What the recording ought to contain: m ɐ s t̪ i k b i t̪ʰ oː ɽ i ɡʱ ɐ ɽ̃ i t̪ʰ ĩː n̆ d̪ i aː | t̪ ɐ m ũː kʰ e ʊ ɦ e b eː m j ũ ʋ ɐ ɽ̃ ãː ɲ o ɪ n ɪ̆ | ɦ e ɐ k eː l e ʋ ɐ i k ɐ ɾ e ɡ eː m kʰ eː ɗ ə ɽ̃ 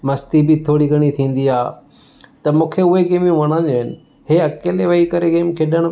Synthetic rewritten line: m ɐ s t̪ i b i t̪ʰ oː ɽ i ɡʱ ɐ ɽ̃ i t̪ʰ ĩː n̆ d̪ i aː | t̪ ɐ m ũː kʰ e ʊ ɦ e ɡ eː m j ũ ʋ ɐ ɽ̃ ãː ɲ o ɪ n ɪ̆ | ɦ e ɐ k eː l e ʋ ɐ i k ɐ ɾ e ɡ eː m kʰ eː ɗ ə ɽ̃